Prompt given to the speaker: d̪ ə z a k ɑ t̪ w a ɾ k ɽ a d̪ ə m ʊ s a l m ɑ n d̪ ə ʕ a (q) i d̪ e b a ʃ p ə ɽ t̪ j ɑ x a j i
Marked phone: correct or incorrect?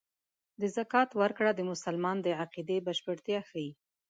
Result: correct